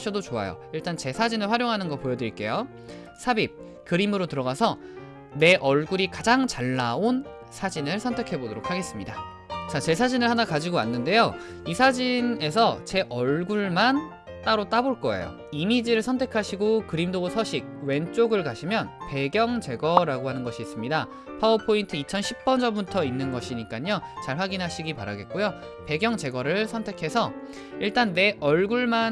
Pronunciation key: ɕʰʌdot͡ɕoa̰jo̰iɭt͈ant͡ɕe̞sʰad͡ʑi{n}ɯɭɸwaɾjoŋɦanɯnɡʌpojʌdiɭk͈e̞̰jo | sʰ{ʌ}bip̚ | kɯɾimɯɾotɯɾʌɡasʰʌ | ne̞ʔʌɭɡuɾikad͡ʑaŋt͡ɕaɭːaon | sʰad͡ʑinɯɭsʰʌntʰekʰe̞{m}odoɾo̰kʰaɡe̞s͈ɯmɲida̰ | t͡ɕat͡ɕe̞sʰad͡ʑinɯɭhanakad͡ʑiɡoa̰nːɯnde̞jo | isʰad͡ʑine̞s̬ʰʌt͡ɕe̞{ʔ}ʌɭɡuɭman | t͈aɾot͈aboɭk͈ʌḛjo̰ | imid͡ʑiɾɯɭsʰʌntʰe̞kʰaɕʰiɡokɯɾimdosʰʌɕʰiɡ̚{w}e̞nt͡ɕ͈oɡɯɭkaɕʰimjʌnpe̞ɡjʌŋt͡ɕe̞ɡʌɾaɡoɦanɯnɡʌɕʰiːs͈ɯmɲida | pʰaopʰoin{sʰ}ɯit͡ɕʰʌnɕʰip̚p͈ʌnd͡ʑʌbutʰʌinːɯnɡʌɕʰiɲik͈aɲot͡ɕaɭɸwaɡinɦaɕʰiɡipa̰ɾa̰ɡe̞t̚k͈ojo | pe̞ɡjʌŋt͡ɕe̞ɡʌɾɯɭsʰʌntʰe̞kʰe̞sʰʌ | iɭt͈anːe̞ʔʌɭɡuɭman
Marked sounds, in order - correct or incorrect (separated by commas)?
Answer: correct, incorrect, incorrect, correct, correct, incorrect